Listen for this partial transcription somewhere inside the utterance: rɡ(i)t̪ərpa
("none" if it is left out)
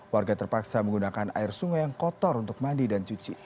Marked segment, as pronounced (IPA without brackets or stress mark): a